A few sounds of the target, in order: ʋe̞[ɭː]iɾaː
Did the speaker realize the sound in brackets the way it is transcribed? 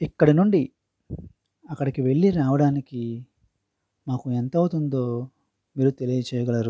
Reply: yes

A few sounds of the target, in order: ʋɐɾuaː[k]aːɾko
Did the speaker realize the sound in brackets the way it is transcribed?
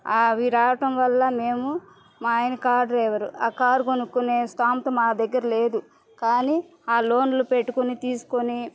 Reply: yes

